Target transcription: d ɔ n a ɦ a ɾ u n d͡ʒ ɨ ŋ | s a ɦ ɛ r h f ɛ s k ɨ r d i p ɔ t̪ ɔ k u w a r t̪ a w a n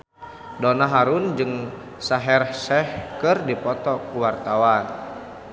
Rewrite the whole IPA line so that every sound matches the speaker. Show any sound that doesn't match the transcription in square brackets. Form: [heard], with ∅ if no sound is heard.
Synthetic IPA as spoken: d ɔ n a ɦ a ɾ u n d͡ʒ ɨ ŋ | s a ɦ ɛ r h [s] ɛ [h] k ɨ r d i p ɔ t̪ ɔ k u w a r t̪ a w a n